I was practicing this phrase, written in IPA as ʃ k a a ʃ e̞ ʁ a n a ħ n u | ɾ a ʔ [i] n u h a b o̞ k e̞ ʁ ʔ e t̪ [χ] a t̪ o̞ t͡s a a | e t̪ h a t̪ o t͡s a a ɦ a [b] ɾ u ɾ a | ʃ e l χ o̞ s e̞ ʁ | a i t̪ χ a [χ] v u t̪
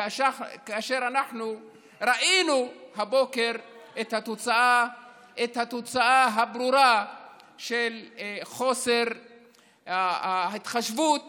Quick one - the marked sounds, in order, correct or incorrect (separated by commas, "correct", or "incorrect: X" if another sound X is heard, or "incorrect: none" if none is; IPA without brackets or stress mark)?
correct, incorrect: h, correct, incorrect: ʃ